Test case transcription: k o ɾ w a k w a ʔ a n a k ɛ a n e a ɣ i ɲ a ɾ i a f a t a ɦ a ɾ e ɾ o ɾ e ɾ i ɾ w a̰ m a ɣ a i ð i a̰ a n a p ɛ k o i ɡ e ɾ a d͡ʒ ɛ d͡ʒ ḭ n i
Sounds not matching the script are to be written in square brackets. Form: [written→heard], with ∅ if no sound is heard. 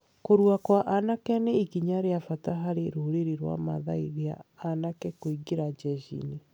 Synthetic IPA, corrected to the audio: k o ɾ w a k w a ʔ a n a k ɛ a n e [a→i] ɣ i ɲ a ɾ [i→e] a f a t a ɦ a ɾ e ɾ o ɾ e ɾ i ɾ w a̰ m a [ɣ→ð] a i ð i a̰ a n a [p→k] ɛ k o i ɡ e ɾ a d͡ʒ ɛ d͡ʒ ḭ n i